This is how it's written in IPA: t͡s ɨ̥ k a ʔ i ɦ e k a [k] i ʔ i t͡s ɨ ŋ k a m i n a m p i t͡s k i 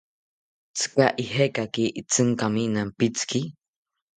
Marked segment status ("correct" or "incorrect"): correct